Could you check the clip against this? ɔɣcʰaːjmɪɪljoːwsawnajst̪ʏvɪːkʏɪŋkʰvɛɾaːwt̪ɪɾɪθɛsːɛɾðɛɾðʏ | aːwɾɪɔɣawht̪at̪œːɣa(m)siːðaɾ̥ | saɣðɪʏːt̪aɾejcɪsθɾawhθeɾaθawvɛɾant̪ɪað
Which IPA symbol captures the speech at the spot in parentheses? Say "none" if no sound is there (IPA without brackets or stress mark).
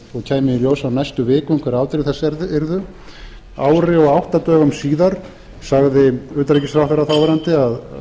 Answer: m